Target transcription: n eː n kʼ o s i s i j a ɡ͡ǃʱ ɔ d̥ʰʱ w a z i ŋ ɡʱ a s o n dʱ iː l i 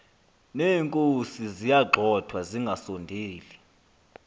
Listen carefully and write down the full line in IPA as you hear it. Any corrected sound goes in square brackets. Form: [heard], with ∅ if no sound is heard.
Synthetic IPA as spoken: n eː [ŋ] kʼ o s i [z] i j a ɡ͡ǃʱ ɔ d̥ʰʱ w a z i ŋ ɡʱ a s o n dʱ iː l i